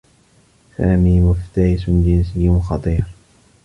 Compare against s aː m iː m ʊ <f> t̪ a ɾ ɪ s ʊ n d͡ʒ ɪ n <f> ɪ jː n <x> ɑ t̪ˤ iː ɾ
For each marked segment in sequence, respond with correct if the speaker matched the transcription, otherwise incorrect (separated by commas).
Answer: correct, incorrect, correct